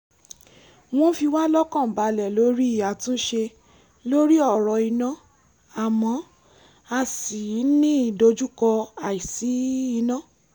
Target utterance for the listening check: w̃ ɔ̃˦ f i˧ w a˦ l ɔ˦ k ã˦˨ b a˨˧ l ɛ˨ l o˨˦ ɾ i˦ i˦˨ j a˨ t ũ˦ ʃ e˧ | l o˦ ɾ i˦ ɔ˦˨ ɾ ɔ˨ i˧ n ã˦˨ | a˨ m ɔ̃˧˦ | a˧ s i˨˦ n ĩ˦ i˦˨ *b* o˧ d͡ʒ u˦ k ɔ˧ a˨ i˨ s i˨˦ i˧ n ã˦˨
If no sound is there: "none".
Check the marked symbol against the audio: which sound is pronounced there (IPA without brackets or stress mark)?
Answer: d